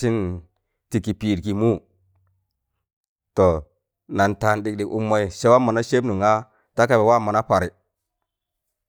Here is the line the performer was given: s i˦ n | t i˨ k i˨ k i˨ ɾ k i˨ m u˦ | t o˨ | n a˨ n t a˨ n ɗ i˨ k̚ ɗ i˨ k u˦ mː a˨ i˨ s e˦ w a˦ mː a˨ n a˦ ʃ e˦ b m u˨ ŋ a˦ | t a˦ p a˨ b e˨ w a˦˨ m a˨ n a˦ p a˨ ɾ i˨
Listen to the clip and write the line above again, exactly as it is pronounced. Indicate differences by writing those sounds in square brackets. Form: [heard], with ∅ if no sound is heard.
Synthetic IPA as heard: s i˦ n | t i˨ k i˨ [p] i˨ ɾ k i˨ m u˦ | t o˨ | n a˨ n t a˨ n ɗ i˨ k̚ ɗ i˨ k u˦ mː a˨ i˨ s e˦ w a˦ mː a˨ n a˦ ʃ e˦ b [n] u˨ ŋ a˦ | t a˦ [k] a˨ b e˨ w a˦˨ m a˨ n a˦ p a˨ ɾ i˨